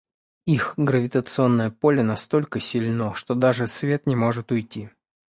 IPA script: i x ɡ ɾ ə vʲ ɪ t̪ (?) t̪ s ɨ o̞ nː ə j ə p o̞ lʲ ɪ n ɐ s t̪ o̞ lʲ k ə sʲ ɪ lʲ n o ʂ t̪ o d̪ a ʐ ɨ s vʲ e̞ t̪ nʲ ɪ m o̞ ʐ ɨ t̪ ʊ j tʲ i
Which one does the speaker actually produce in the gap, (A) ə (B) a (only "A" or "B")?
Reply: A